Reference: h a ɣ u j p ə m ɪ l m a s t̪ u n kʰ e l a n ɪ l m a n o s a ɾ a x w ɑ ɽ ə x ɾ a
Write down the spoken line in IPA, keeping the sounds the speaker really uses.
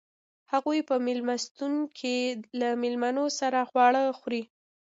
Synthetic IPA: h a ɣ u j p ə m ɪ l m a s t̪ u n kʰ e l a m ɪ l m a n o s a ɾ a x w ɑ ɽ ə x ɾ i